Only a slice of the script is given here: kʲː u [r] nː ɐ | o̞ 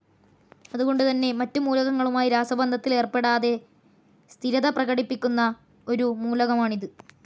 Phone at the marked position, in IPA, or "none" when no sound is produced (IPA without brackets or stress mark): none